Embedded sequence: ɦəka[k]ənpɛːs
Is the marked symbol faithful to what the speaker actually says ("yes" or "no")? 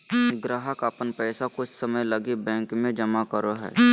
no